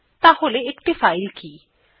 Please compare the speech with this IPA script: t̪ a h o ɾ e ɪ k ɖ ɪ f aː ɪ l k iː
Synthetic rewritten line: t̪ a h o l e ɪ k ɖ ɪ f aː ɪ l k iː